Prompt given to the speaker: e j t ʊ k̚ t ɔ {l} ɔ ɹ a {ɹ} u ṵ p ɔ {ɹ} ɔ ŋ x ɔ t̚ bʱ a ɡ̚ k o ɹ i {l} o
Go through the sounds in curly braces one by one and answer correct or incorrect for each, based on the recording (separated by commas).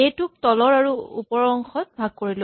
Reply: correct, correct, correct, correct